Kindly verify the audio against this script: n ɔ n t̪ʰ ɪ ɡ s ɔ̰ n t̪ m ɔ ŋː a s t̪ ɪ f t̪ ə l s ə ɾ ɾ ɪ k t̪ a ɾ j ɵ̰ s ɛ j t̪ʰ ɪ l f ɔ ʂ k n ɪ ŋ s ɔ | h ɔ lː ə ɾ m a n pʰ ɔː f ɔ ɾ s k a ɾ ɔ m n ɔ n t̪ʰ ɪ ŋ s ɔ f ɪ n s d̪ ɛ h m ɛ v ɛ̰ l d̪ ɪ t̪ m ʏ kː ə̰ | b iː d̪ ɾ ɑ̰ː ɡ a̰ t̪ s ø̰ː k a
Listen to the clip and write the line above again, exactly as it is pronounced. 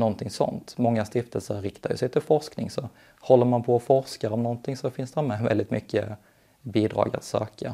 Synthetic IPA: n ɔ n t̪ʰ ɪ ŋ s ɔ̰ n t̪ m ɔ ŋː a s t̪ ɪ f t̪ ə l s ə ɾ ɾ ɪ k t̪ a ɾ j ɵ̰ s ɛ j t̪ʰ ɪ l f ɔ ʂ k n ɪ ŋ s ɔ | h ɔ lː ə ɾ m a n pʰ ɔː f ɔ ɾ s k a ɾ ɔ m n ɔ n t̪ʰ ɪ ŋ s ɔ f ɪ n s d̪ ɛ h m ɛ v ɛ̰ l d̪ ɪ t̪ m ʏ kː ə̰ | b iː d̪ ɾ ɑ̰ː ɡ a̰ t̪ s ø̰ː k a